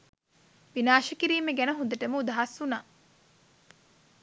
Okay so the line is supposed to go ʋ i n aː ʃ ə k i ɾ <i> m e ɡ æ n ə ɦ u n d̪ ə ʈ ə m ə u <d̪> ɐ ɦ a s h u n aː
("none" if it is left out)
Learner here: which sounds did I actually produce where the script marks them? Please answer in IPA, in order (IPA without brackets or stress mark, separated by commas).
iː, d̪